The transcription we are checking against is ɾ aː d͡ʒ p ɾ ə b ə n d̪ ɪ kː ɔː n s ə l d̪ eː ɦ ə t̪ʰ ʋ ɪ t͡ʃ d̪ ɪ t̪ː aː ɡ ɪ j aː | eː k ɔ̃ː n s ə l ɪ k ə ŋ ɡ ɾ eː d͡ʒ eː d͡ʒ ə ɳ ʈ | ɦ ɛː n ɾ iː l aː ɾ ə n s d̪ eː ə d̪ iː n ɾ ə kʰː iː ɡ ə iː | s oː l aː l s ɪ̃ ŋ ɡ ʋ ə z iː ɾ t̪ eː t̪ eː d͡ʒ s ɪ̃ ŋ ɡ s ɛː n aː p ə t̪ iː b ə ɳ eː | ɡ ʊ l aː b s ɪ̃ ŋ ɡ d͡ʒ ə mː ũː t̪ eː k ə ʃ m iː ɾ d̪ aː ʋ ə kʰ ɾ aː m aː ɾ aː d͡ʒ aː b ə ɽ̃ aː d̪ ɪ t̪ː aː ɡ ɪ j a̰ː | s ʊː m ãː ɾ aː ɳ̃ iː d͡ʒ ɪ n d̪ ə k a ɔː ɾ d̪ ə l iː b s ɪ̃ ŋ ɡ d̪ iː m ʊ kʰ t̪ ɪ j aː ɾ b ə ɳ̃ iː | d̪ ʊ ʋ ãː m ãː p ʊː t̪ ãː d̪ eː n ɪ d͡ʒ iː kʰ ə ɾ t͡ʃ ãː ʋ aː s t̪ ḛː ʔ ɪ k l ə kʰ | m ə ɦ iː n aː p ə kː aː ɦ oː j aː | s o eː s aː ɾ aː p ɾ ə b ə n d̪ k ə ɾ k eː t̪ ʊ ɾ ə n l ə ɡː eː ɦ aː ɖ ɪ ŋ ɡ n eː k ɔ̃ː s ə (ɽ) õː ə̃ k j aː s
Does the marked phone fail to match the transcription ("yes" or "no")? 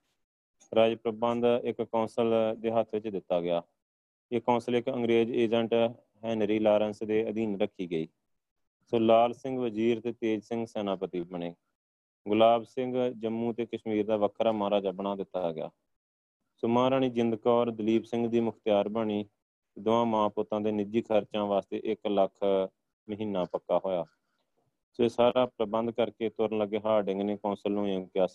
yes